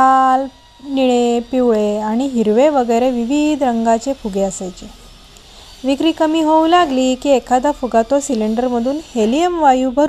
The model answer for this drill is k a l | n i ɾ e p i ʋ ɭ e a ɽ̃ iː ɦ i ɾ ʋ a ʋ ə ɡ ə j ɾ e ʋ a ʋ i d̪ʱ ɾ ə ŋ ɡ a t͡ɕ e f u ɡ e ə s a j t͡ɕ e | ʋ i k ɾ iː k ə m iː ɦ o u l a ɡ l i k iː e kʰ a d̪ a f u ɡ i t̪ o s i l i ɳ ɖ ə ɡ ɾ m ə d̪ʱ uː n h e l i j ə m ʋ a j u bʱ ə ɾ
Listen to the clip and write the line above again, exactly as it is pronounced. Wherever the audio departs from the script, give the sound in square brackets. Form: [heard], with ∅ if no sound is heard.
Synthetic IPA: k a l | n i [ɭ] e p i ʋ ɭ e a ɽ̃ [i] ɦ i ɾ ʋ [e] ʋ ə ɡ ə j ɾ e ʋ [i] ʋ i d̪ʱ ɾ ə ŋ ɡ a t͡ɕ e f u ɡ e ə s a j t͡ɕ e | ʋ i k ɾ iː k ə m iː ɦ o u l a ɡ l i k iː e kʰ a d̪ a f u ɡ [a] t̪ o s i l i ɳ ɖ ə [∅] ɾ m ə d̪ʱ uː n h e l i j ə m ʋ a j u bʱ ə ɾ